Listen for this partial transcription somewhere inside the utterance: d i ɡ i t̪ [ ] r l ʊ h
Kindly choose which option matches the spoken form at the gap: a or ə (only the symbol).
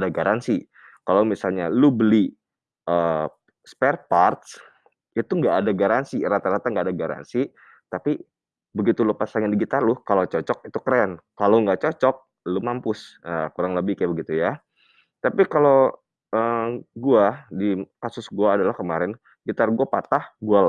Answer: a